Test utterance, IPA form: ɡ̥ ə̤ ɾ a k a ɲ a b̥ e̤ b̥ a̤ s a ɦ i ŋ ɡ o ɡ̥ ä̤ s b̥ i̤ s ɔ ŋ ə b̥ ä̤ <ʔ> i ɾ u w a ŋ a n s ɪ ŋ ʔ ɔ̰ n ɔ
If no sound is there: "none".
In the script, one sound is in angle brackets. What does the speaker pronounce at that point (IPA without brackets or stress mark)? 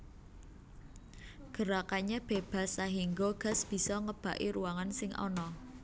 ʔ